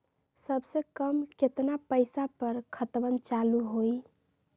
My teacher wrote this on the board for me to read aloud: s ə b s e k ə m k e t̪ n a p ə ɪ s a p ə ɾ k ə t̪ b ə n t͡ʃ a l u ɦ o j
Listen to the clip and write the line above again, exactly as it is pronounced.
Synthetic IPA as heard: s ə b s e k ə m k e t̪ n a p ə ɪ s a p ə ɾ kʰ ə t̪ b ə n t͡ʃ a l u ɦ o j